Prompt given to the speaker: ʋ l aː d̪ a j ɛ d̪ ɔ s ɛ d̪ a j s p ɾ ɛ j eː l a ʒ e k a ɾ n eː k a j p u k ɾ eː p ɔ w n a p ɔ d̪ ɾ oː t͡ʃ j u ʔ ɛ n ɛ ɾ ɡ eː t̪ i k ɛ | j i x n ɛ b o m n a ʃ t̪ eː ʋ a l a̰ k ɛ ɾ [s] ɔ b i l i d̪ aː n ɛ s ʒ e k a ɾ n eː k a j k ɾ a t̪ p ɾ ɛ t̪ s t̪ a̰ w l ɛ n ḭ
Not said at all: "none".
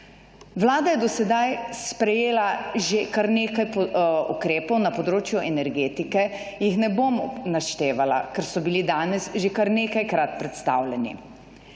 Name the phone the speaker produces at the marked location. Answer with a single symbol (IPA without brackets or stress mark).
s